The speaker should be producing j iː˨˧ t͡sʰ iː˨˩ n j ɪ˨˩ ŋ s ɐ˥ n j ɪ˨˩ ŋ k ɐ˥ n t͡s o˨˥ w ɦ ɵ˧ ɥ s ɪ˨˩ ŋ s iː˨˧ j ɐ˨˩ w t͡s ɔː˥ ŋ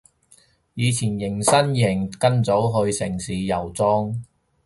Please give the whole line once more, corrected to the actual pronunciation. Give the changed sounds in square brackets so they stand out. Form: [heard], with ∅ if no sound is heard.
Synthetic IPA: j iː˨˧ t͡sʰ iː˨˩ n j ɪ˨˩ ŋ s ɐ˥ n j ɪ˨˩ ŋ k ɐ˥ n t͡s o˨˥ w ɦ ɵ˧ ɥ s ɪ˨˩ ŋ s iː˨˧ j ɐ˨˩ w t͡s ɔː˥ ŋ